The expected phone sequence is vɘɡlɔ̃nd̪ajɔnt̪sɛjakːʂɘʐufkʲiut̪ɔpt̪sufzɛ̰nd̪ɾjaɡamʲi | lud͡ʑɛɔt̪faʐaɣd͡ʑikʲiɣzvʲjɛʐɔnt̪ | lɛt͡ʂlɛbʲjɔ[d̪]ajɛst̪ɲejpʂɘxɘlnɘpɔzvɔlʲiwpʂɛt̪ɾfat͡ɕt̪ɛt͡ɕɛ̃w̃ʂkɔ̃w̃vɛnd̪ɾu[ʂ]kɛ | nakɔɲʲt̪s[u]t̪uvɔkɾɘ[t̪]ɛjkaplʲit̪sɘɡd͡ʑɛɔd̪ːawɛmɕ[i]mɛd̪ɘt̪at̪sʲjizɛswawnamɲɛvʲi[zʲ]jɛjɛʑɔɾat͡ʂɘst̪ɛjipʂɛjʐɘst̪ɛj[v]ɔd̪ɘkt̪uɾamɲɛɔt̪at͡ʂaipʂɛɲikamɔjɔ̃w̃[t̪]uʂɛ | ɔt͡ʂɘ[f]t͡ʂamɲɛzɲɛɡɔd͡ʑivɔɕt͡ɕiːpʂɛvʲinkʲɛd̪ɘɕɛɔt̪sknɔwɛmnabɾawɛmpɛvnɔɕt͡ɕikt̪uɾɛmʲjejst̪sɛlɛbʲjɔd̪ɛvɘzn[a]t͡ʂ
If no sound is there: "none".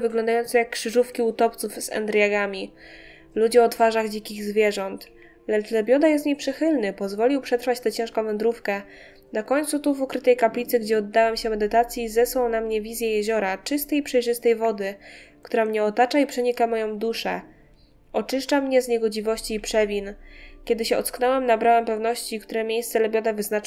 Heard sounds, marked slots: d̪, f, u, t̪, ɛ, zʲ, v, d̪, ʂ, a

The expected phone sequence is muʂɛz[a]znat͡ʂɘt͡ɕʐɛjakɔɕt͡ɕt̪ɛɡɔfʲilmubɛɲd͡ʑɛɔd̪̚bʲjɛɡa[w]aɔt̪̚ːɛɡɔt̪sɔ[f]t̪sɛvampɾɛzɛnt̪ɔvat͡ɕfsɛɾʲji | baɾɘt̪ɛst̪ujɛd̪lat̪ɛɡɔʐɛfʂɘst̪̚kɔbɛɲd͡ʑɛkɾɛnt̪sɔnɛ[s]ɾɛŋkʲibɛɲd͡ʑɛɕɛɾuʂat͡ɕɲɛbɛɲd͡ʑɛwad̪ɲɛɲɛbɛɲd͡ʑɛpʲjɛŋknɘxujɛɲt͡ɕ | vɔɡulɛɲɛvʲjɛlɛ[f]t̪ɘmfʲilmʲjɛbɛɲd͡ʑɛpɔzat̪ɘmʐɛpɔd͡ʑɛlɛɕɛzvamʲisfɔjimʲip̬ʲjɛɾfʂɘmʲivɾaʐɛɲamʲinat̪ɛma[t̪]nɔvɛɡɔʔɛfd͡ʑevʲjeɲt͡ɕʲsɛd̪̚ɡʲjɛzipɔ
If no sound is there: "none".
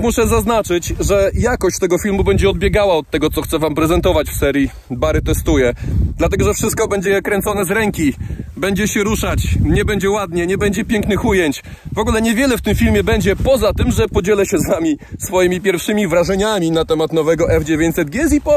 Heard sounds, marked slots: a, w, x, z, f, t̪

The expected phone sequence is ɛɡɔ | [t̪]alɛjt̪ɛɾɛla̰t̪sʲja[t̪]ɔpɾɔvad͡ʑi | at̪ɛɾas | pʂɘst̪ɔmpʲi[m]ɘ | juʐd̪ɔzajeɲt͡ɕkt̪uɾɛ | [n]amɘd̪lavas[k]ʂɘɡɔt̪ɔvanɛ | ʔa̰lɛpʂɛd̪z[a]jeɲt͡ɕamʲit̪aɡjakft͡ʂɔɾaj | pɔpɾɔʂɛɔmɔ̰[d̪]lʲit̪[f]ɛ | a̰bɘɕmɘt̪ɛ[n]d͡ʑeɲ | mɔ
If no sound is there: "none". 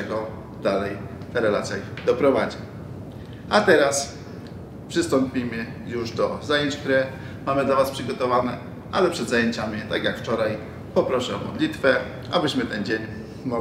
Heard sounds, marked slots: d̪, d̪, m, m, p, a, d̪, f, n

